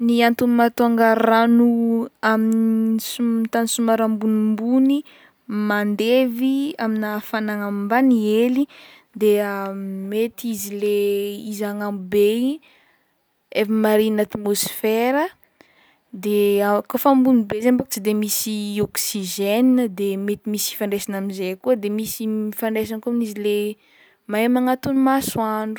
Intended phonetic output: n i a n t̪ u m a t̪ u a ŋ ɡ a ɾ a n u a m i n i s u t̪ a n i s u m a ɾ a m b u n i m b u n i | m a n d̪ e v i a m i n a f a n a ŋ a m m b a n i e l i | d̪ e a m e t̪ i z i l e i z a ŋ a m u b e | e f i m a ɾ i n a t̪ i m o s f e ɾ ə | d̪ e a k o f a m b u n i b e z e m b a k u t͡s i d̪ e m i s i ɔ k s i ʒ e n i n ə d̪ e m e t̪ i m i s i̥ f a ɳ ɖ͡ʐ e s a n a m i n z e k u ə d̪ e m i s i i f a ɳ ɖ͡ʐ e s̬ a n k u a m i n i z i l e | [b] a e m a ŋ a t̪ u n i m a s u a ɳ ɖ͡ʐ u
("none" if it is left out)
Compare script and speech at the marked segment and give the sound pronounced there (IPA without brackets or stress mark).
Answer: m